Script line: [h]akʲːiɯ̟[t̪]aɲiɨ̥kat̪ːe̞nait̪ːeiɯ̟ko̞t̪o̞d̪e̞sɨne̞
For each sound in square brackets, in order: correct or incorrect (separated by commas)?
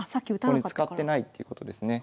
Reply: incorrect, correct